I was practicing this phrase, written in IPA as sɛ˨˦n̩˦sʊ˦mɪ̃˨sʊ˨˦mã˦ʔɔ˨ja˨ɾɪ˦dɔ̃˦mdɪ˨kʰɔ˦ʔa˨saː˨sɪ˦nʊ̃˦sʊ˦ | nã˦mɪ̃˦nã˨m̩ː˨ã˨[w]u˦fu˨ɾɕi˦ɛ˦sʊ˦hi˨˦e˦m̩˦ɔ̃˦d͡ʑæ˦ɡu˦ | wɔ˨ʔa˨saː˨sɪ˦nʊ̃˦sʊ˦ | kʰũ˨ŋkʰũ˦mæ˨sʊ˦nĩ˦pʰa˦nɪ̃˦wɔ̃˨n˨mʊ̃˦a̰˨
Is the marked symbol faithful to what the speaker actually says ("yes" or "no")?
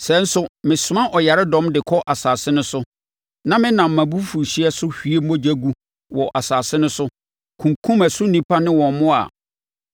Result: no